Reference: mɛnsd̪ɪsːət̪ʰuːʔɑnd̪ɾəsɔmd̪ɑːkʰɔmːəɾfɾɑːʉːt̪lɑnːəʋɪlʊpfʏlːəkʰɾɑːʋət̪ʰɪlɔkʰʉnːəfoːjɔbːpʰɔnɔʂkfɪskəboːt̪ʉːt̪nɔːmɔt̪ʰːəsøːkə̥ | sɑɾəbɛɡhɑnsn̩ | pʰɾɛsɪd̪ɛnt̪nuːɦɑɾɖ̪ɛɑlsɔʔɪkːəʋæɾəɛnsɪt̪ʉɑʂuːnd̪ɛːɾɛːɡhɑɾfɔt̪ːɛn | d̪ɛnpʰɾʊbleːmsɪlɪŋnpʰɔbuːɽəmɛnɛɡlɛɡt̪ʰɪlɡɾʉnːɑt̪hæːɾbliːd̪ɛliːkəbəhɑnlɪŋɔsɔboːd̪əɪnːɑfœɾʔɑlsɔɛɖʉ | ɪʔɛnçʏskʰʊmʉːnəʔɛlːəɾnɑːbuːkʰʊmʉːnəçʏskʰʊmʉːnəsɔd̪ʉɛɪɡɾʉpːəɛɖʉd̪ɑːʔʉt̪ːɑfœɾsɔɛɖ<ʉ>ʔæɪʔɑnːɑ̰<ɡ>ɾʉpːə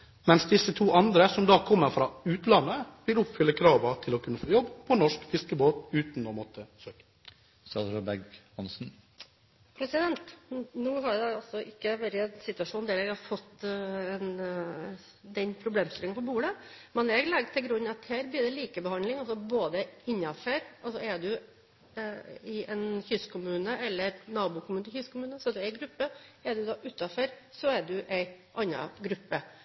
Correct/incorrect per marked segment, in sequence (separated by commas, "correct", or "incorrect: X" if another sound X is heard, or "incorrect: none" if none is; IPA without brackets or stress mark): correct, correct